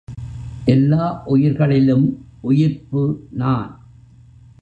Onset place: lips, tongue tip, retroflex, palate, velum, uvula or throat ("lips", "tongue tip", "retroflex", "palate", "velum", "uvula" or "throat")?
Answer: throat